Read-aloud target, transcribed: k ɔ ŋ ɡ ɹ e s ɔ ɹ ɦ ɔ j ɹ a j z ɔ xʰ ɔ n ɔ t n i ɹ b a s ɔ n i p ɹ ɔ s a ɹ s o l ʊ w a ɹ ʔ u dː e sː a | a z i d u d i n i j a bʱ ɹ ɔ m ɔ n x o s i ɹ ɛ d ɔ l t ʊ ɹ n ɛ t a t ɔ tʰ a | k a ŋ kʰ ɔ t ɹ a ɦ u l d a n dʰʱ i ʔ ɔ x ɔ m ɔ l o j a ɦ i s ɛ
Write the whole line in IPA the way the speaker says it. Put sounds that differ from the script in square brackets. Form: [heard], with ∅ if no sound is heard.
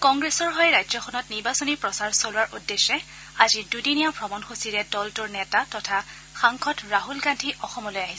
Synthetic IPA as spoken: k ɔ ŋ ɡ ɹ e s ɔ ɹ ɦ ɔ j ɹ a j z ɔ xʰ ɔ n ɔ t n i ɹ b a s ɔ n i p ɹ ɔ s a ɹ s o l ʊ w a ɹ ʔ u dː e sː [ɛ] | a z i d u d i n i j a bʱ ɹ ɔ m ɔ n x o s i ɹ ɛ d ɔ l t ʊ ɹ n ɛ t a t ɔ tʰ a | [x] a ŋ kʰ ɔ t ɹ a ɦ u l [ɡ] a n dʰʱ i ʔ ɔ x ɔ m ɔ l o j a ɦ i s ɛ

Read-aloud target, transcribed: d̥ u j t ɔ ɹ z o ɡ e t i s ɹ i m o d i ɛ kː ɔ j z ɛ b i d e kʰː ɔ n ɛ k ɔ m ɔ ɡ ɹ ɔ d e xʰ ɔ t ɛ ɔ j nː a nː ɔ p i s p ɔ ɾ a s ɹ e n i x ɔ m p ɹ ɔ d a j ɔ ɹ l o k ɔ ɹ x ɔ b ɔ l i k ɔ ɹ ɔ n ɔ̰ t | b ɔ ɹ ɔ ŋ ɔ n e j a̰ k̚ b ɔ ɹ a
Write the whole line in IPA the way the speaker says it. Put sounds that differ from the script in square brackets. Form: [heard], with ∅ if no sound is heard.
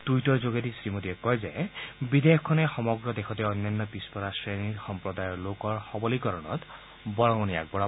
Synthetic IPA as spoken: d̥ u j t ɔ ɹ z o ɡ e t i s ɹ i m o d i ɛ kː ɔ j z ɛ b i d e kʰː ɔ n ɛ [x] ɔ m ɔ ɡ ɹ ɔ d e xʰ ɔ t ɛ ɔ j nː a nː ɔ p i s p ɔ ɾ a s ɹ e n i x ɔ m p ɹ ɔ d a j ɔ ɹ l o k ɔ ɹ x ɔ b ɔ l i k ɔ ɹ ɔ n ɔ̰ t | b ɔ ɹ ɔ ŋ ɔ n [i] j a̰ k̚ b ɔ ɹ a

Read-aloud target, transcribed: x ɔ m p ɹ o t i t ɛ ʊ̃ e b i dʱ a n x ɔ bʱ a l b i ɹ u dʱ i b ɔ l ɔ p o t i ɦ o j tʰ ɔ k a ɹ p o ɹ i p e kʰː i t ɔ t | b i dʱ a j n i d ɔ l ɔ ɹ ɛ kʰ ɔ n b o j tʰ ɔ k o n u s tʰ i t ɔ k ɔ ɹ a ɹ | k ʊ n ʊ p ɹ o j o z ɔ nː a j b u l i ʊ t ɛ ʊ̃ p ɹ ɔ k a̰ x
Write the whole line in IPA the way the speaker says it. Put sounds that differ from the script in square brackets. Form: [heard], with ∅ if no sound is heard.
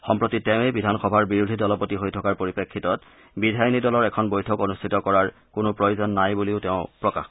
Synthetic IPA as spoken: x ɔ m p ɹ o t i t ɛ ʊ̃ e b i dʱ a n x ɔ bʱ a [ɹ] b i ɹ u dʱ i [d] ɔ l ɔ p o t i ɦ o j tʰ ɔ k a ɹ p o ɹ i p e kʰː i t ɔ t | b i dʱ a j n i d ɔ l ɔ ɹ ɛ kʰ ɔ n b o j tʰ ɔ k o n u s tʰ i t ɔ k ɔ ɹ a ɹ | k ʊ n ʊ p ɹ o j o z ɔ nː a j b u l i ʊ t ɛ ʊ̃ p ɹ ɔ k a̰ x

